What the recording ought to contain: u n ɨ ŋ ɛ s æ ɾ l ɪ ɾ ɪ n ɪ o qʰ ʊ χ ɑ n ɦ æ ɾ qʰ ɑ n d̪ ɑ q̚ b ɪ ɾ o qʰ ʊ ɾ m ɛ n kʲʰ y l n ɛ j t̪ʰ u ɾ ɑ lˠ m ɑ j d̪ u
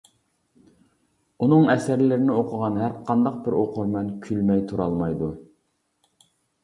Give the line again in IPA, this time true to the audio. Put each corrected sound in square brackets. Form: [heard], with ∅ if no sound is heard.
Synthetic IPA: u n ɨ ŋ ɛ s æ ɾ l ɪ ɾ ɪ n ɪ o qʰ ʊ [ʁ] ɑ n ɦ æ ɾ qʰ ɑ n d̪ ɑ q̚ b ɪ ɾ o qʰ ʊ ɾ m ɛ n kʲʰ y l [m] ɛ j t̪ʰ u ɾ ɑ lˠ m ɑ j d̪ u